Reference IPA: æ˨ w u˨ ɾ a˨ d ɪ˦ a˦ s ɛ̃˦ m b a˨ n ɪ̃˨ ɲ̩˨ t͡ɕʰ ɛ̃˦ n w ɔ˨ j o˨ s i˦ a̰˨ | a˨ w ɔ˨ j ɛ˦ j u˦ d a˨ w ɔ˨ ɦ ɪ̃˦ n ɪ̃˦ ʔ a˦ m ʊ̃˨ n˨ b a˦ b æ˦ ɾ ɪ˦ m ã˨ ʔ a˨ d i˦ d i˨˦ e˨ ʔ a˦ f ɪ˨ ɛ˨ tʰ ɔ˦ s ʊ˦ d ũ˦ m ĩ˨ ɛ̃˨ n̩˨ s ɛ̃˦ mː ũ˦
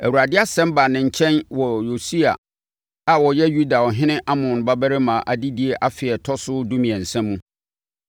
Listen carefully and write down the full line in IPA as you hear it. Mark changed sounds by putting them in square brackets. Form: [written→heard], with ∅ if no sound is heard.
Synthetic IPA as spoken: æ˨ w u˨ ɾ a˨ d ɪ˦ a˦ s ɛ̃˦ m b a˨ n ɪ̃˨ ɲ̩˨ t͡ɕʰ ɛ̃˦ n w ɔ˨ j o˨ s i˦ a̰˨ | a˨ w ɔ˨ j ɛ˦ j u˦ d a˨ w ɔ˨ ɦ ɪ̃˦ n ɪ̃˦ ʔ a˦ m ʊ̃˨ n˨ b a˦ b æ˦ ɾ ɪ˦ m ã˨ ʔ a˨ d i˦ d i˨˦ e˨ ʔ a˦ f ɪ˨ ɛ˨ tʰ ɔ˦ s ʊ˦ d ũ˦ m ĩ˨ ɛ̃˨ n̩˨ s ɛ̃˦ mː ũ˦

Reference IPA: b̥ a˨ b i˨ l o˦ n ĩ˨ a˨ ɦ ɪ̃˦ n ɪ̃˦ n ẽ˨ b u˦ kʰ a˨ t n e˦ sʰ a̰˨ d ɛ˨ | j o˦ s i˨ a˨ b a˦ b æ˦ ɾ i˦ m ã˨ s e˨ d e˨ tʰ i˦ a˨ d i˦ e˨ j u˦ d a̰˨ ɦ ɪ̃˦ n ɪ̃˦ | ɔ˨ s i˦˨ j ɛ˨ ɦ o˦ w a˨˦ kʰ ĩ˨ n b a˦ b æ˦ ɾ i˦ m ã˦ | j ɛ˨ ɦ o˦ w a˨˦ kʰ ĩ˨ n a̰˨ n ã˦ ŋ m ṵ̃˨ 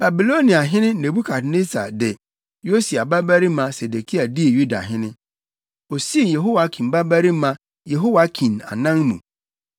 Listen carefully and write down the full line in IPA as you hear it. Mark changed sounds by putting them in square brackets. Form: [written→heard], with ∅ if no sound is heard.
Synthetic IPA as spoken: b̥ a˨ b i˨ l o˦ n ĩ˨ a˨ ɦ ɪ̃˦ n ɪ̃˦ n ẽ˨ b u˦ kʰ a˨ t n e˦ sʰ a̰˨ d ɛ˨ | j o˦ s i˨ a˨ b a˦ b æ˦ ɾ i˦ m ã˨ s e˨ d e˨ [tʰ→kʰ] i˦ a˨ d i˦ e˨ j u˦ d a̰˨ ɦ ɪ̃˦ n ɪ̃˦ | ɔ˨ s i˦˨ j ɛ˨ ɦ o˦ w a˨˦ kʰ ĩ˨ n b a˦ b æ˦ ɾ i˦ m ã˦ | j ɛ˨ ɦ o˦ w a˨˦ kʰ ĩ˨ n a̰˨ n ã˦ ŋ m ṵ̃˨

